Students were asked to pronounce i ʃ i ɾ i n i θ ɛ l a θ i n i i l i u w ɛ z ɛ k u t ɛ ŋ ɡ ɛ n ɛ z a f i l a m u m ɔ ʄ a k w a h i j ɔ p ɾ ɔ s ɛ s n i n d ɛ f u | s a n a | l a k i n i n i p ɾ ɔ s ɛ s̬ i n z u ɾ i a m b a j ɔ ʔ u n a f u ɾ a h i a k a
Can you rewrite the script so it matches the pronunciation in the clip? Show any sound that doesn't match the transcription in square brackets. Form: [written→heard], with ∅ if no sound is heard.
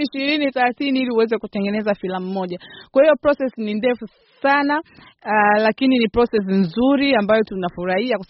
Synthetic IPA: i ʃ i ɾ i n i θ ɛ l a θ i n i i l i u w ɛ z ɛ k u t ɛ ŋ ɡ ɛ n ɛ z a f i l a m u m ɔ ʄ a k w a h i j ɔ p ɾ ɔ s ɛ s n i n d ɛ f u | s a n a | l a k i n i n i p ɾ ɔ s ɛ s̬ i n z u ɾ i a m b a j ɔ [ʔ→t] u n a f u ɾ a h i a k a